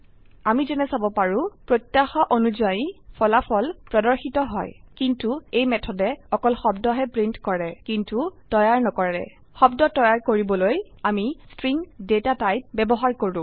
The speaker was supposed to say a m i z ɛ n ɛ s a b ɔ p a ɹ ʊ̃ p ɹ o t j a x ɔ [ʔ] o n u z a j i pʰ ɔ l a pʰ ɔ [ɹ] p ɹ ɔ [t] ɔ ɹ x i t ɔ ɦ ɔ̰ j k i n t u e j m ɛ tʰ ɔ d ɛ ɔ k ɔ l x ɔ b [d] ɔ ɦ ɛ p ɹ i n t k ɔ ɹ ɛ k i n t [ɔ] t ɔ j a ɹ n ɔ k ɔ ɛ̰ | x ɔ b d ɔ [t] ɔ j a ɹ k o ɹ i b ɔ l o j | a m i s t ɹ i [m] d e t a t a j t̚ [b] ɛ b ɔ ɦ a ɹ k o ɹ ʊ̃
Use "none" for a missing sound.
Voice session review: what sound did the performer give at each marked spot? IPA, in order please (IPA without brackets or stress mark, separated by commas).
ʔ, l, d, d, u, t, ŋ, b